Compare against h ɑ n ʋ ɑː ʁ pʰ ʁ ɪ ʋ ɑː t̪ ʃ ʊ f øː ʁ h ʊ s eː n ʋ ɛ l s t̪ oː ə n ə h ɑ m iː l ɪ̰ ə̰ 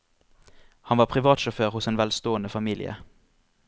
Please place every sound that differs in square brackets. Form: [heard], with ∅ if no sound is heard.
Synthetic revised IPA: h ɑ n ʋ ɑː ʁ pʰ ʁ ɪ ʋ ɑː t̪ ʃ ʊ f øː ʁ h ʊ s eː n ʋ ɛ l s t̪ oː ə n ə [f] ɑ m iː l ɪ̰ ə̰

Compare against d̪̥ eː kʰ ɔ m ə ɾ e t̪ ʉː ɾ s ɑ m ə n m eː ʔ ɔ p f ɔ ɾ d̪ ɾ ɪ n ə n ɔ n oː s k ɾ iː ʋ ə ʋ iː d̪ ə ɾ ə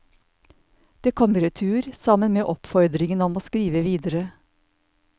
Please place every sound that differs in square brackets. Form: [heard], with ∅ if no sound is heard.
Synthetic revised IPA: d̪̥ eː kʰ ɔ m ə ɾ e [t̪ʰ] ʉː ɾ s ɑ m ə n m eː ʔ ɔ p f ɔ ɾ d̪ ɾ ɪ [ŋ] ə n ɔ [m] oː s k ɾ iː ʋ ə ʋ iː d̪ ə ɾ ə

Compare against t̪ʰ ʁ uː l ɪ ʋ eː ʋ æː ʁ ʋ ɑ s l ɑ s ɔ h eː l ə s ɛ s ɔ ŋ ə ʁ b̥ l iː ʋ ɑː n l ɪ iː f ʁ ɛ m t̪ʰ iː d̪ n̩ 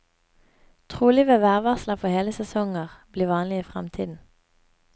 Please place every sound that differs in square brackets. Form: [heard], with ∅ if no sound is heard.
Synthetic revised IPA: t̪ʰ ʁ uː l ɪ ʋ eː ʋ æː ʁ ʋ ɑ s l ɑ [f] ɔ h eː l ə s ɛ s ɔ ŋ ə ʁ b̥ l iː ʋ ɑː n l ɪ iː f ʁ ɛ m t̪ʰ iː d̪ n̩

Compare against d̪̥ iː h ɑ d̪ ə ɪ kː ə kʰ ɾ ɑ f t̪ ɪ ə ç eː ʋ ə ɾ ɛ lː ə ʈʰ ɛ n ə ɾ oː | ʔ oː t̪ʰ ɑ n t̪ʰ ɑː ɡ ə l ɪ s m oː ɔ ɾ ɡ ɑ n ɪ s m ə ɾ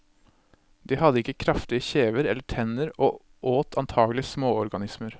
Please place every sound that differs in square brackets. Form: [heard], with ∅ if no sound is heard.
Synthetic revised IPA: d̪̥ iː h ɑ d̪ ə ɪ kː ə kʰ ɾ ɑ f t̪ ɪ ə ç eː ʋ ə ɾ ɛ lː ə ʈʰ ɛ n ə ɾ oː | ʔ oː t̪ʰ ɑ n t̪ʰ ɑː ɡ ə l ɪ s m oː ɔ ɾ ɡ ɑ n ɪ s m ə ɾ

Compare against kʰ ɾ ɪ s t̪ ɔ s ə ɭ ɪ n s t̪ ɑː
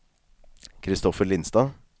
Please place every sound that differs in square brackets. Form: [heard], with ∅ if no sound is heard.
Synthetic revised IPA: kʰ ɾ ɪ s t̪ ɔ [f] ə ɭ ɪ n s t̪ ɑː

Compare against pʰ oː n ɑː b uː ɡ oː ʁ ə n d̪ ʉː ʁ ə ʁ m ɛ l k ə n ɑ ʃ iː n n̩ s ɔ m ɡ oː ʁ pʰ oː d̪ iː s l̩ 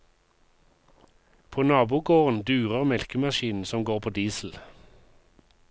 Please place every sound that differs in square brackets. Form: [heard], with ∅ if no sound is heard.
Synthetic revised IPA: pʰ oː n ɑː b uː ɡ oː ʁ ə n d̪ ʉː ʁ ə ʁ m ɛ l k ə [m] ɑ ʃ iː n n̩ s ɔ m ɡ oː ʁ pʰ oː d̪ iː s l̩

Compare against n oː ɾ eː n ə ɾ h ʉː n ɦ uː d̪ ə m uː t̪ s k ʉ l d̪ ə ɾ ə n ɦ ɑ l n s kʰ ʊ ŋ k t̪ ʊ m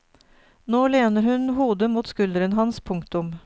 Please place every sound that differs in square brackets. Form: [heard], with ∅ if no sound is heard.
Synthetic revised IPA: n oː [l] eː n ə ɾ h [ʉ] n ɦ uː d̪ ə m uː t̪ s k ʉ l d̪ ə ɾ ə n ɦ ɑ [∅] n s [pʰ] ʊ ŋ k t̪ ʊ m

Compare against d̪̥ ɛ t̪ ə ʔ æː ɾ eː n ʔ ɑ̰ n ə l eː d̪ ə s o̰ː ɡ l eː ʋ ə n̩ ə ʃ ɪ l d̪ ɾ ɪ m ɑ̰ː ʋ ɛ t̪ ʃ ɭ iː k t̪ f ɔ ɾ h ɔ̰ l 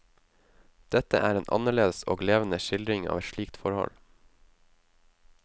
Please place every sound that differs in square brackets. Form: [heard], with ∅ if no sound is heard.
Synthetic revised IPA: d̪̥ ɛ t̪ ə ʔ æː ɾ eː n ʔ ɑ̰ n ə [ɭ] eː d̪ ə s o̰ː ɡ l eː ʋ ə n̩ ə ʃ ɪ l d̪ ɾ ɪ [ŋ] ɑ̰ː ʋ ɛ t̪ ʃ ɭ iː k t̪ f ɔ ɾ h ɔ̰ l

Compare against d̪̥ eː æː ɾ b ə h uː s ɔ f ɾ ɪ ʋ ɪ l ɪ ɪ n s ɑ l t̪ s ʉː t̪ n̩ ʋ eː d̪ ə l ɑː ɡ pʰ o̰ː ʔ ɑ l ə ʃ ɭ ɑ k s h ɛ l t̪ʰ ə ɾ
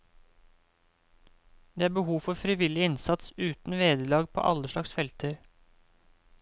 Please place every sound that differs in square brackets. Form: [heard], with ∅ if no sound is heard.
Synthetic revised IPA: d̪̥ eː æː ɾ b ə h uː [f] ɔ f ɾ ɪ ʋ ɪ l ɪ ɪ n s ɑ [∅] t̪ s ʉː t̪ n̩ ʋ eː d̪ ə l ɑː ɡ pʰ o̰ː ʔ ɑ l ə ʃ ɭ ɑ k s [f] ɛ l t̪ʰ ə ɾ

